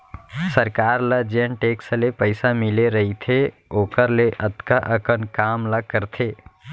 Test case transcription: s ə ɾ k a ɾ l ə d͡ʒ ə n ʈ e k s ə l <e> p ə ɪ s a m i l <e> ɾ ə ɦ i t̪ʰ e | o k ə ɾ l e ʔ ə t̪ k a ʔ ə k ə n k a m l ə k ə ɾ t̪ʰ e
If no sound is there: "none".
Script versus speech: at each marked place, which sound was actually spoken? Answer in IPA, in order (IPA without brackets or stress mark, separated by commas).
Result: e, e